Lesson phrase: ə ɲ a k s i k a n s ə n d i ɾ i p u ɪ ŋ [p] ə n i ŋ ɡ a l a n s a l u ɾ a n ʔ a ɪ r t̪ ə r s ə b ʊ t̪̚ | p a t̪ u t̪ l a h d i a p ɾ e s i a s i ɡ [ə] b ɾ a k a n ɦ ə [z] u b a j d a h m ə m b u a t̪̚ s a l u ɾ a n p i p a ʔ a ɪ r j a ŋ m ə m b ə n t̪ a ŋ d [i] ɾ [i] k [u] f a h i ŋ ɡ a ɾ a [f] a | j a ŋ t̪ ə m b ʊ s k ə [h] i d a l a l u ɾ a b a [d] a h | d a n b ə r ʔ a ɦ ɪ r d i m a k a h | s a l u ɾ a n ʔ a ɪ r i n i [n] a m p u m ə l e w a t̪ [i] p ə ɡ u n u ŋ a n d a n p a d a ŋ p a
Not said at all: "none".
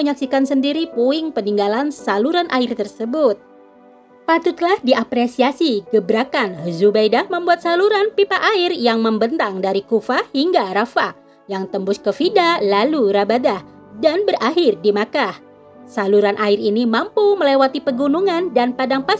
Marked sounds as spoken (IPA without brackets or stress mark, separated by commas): p, ə, z, a, i, u, f, f, d, m, i